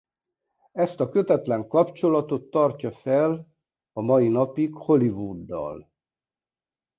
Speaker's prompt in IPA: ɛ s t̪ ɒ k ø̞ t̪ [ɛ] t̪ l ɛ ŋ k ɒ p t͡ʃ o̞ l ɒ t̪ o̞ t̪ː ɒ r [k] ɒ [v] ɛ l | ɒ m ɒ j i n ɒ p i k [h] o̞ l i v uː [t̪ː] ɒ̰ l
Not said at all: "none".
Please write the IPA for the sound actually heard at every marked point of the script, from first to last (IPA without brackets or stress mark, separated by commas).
ɛ, c, f, h, d̪ː